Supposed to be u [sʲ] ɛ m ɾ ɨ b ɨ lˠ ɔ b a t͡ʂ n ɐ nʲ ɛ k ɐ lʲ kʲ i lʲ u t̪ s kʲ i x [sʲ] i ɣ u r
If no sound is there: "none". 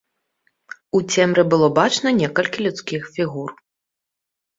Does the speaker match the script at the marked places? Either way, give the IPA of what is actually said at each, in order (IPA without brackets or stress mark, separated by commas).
t͡sʲ, fʲ